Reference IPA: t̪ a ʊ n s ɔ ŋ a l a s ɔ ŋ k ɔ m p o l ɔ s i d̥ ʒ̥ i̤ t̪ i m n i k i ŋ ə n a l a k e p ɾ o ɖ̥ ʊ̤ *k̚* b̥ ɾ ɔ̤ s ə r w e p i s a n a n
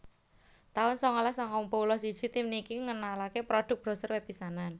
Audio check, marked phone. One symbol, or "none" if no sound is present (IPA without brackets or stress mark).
k̚